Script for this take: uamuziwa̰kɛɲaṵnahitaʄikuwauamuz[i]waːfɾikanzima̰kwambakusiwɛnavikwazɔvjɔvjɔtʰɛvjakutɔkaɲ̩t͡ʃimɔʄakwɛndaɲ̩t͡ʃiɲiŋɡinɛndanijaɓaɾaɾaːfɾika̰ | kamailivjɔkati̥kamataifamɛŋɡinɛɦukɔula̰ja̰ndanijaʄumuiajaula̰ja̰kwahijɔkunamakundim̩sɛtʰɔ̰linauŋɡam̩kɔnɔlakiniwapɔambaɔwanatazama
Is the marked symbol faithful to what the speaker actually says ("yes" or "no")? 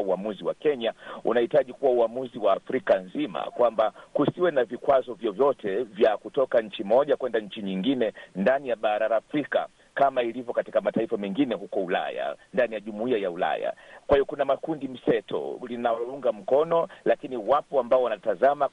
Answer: yes